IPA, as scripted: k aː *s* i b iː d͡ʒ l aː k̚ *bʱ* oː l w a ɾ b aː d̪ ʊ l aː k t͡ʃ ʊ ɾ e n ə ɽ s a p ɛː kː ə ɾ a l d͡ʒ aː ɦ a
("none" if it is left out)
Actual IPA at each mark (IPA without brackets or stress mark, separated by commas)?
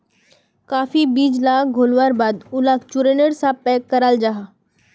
f, ɡʱ